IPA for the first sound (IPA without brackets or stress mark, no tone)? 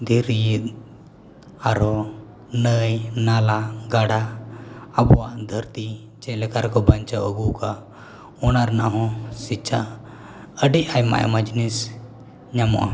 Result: d̪